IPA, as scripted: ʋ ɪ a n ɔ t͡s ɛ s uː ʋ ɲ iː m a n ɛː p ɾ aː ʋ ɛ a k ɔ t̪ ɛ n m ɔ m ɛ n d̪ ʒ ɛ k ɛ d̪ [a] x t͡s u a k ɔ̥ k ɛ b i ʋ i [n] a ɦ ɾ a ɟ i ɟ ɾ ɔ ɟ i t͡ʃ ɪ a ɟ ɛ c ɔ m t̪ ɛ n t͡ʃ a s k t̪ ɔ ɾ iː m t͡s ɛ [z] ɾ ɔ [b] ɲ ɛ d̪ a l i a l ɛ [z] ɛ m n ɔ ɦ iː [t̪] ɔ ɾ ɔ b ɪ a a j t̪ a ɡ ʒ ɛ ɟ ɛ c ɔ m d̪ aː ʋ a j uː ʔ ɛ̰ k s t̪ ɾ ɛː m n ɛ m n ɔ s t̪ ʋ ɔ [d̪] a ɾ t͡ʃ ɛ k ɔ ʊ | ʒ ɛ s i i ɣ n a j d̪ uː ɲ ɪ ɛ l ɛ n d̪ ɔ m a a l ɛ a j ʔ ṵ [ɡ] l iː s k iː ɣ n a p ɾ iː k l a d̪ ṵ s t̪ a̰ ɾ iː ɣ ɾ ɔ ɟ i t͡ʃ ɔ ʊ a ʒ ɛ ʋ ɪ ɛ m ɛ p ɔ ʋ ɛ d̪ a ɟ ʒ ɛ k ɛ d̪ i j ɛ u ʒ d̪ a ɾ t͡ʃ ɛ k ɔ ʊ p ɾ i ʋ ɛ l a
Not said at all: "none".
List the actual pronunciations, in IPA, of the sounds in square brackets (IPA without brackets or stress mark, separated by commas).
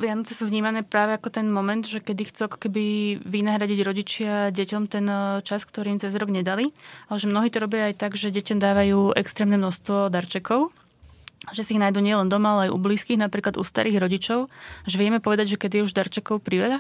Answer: i, n, z, ɡ, ʒ, t̪, d̪, b